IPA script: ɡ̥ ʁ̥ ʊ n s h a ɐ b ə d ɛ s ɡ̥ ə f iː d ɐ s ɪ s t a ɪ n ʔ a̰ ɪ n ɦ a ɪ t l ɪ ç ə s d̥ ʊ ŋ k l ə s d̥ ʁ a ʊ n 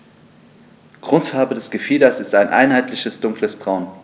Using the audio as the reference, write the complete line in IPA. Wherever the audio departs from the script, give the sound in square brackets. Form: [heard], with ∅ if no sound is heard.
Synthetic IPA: ɡ̥ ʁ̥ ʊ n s [f] a ɐ b ə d ɛ s ɡ̥ ə f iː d ɐ s ɪ s t a ɪ n ʔ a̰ ɪ n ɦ a ɪ t l ɪ ç ə s d̥ ʊ ŋ k l ə s [b̥] ʁ a ʊ n